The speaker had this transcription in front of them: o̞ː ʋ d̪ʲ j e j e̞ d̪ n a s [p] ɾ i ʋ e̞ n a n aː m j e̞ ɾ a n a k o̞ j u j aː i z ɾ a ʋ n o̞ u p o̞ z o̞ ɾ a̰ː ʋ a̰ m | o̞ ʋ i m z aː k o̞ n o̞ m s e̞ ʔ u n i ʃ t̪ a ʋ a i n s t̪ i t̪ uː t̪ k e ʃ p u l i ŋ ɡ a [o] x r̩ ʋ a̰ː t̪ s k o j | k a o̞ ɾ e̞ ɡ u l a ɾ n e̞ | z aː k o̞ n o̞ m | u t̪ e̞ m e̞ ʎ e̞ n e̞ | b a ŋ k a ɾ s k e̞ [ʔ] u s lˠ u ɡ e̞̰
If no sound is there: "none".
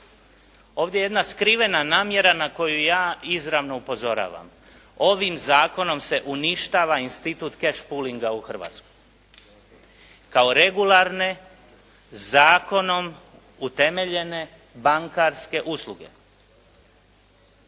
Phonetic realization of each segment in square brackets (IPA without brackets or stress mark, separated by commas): k, u, ʔ